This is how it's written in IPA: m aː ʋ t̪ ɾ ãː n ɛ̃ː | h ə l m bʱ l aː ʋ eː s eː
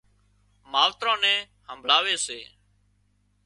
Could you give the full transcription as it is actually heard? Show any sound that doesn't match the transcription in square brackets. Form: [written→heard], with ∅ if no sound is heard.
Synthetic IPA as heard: m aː ʋ t̪ ɾ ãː n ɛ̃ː | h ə [l→∅] m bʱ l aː ʋ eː s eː